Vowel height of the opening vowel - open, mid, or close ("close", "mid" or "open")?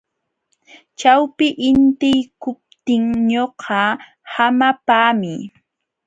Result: open